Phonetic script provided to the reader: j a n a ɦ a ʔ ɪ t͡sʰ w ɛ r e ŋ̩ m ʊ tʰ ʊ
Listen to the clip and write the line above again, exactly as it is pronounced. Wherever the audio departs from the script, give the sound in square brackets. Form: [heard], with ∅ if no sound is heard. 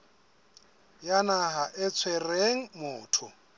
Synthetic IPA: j a n a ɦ a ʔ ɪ t͡sʰ w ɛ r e ŋ̩ m [ʊː] tʰ ʊ